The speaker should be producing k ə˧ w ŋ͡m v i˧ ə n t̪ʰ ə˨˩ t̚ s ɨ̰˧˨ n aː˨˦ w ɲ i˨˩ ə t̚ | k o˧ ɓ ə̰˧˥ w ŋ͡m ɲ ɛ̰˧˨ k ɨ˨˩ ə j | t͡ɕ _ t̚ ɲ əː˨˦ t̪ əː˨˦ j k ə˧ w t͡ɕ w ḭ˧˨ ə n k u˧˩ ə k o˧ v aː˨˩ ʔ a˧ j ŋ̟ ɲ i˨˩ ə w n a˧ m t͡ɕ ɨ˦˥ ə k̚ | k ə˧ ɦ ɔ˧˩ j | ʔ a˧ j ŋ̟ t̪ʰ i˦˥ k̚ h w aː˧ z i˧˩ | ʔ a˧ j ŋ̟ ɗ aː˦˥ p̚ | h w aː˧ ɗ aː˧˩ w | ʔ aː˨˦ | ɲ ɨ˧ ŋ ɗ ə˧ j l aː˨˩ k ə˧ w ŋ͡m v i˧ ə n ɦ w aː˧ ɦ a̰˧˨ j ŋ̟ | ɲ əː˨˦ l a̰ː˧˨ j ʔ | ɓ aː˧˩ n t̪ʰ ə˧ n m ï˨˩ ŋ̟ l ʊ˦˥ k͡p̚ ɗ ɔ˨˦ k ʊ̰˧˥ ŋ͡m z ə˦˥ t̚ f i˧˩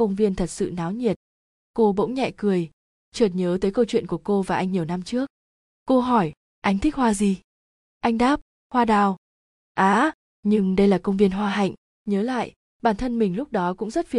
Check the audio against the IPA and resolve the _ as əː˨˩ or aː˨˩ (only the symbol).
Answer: əː˨˩